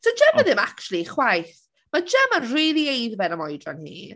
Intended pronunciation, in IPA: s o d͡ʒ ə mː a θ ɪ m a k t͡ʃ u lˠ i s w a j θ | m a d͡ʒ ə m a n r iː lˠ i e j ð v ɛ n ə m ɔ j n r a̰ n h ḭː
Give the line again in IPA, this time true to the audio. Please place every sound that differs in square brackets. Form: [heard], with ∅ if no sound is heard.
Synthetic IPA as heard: s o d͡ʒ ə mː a [ð] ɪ m a k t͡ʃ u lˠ i [χ] w a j θ | m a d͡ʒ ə m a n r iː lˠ i e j ð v ɛ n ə m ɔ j [d] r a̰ n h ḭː